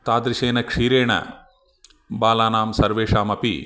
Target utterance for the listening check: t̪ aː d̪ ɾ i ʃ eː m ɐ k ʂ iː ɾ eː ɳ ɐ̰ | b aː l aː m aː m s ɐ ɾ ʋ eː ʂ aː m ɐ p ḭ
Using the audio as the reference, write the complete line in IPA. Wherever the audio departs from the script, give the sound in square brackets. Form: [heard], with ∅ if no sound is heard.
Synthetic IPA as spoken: t̪ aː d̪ ɾ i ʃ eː [n] ɐ k ʂ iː ɾ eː ɳ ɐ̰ | b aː l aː [n] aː m s ɐ ɾ ʋ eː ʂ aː m ɐ p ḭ